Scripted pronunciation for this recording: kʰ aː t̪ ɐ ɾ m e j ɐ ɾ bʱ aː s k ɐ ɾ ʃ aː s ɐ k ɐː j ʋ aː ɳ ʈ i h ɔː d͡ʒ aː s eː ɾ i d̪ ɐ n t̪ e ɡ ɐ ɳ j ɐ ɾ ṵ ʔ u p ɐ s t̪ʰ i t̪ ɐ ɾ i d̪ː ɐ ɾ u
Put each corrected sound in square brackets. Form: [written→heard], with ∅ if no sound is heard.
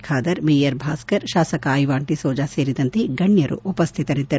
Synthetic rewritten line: kʰ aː [t̪→d̪] ɐ ɾ m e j ɐ ɾ bʱ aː s k ɐ ɾ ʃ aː s ɐ k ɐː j ʋ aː ɳ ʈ i [h→s] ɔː d͡ʒ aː s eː ɾ i d̪ ɐ n t̪ e ɡ ɐ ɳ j ɐ ɾ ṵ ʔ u p ɐ s t̪ʰ i t̪ ɐ ɾ i d̪ː ɐ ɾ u